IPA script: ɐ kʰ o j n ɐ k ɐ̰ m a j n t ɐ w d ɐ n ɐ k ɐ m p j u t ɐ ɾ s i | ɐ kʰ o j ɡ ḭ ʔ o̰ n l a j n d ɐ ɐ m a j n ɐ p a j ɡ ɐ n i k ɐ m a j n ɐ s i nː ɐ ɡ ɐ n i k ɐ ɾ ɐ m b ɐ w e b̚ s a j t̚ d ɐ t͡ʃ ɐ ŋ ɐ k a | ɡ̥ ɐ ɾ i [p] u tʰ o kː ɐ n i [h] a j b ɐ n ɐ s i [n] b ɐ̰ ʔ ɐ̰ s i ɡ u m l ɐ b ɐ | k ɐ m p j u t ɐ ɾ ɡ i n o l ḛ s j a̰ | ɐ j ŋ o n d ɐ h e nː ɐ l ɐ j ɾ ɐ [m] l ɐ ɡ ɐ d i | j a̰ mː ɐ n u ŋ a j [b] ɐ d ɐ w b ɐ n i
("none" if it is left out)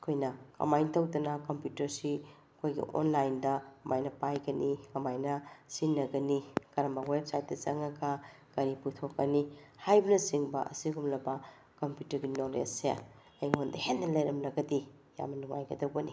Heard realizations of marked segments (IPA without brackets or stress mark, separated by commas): p, h, ŋ, m, ɡ